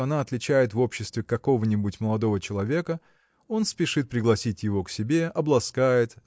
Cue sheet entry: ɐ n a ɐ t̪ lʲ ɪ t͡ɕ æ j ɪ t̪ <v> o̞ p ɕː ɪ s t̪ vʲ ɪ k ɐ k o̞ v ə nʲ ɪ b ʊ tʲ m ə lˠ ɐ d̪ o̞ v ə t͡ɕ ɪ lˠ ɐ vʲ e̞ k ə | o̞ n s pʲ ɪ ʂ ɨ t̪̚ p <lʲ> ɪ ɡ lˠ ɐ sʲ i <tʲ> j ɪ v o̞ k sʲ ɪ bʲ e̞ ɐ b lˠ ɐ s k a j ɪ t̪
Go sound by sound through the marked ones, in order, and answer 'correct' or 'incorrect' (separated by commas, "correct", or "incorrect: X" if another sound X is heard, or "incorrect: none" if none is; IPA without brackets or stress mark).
correct, incorrect: ɾʲ, correct